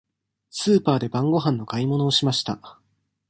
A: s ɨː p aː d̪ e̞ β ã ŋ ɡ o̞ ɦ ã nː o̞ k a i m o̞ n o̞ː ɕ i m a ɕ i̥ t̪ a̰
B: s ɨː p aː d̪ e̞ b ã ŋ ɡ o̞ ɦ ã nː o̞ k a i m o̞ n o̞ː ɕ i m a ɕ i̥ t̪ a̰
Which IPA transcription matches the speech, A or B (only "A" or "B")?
B